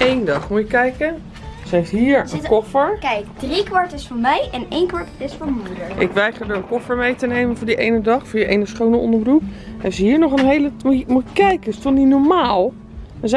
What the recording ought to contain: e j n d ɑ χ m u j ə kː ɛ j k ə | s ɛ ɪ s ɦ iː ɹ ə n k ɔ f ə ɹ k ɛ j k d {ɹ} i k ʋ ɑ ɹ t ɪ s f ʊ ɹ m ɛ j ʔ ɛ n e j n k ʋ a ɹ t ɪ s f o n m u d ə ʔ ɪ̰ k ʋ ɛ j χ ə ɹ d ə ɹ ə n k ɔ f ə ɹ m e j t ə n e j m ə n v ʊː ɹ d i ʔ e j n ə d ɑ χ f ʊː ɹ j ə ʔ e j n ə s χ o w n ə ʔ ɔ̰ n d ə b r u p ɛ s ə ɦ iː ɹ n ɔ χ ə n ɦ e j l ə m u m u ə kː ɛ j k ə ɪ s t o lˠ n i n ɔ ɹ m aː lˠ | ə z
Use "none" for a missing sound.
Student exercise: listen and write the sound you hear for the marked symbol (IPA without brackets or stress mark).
r